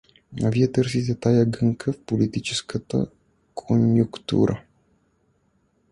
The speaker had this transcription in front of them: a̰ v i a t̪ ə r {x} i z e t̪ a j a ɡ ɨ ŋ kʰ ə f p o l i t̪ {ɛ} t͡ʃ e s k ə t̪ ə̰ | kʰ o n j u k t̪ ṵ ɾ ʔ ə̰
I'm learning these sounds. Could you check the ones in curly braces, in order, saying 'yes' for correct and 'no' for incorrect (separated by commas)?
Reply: no, no